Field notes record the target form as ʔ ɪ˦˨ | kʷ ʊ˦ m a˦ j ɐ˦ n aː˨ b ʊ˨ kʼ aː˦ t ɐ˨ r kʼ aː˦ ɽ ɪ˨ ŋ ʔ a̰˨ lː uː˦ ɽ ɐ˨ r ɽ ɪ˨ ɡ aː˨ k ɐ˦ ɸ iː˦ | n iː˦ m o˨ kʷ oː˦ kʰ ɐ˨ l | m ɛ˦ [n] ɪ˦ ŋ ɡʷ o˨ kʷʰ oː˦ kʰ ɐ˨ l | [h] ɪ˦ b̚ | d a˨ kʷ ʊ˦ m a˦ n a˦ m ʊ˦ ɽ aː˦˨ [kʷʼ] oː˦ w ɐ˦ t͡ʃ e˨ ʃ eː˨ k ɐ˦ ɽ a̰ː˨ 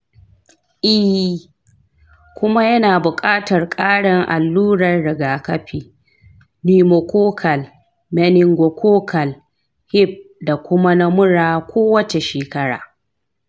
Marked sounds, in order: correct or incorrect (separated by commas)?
correct, correct, incorrect